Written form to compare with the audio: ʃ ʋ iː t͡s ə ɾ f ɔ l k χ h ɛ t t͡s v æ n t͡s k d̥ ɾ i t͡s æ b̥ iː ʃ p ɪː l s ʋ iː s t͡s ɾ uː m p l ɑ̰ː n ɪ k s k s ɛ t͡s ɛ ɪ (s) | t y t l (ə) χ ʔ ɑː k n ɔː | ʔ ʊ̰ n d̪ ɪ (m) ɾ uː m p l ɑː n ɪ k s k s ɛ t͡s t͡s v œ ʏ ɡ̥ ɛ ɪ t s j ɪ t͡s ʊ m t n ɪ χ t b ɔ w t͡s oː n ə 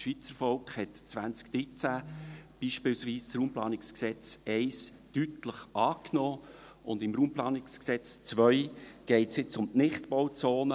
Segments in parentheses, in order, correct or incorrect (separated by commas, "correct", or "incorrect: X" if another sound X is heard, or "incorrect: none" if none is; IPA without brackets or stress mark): correct, correct, correct